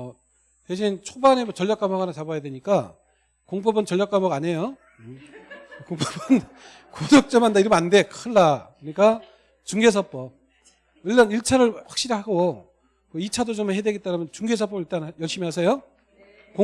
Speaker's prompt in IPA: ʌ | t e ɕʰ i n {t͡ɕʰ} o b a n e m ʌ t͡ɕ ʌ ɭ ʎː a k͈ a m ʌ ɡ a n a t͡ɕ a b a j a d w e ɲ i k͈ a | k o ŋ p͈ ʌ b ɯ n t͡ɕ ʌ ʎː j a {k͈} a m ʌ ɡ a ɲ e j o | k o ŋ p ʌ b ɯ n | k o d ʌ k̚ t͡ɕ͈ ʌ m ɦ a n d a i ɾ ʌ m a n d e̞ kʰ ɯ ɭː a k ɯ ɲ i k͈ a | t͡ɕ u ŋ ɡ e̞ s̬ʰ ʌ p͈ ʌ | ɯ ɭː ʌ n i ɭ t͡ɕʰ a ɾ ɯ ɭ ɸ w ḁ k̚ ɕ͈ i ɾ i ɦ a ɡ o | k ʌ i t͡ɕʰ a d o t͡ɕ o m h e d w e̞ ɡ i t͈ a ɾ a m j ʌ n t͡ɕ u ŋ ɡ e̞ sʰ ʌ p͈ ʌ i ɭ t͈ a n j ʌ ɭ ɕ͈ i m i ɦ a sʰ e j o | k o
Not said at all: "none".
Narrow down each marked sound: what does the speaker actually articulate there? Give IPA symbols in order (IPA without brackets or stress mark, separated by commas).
t͡ɕʰ, k͈